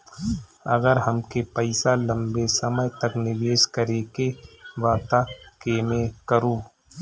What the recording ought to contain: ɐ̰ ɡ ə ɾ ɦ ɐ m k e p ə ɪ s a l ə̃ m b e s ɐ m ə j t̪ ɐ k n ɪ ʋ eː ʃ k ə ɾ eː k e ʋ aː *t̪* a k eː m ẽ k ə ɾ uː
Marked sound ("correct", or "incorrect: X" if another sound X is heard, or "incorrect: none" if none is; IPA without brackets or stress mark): correct